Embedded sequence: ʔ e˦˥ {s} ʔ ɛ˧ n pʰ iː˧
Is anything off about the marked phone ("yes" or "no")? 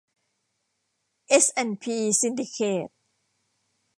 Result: no